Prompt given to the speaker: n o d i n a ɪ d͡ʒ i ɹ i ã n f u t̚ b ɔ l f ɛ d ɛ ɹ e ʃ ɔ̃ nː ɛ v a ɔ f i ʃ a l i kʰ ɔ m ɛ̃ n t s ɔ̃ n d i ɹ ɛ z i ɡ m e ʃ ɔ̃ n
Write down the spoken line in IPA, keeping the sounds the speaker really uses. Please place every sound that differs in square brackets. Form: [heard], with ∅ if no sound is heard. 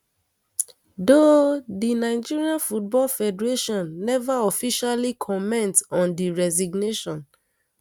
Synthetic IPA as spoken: [d] o d i n a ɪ d͡ʒ i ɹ i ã n f u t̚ b ɔ l f ɛ d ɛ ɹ e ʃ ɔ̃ nː ɛ v a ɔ f i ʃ a l i kʰ ɔ m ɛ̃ n t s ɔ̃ n d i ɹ ɛ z i ɡ [n] e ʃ ɔ̃ n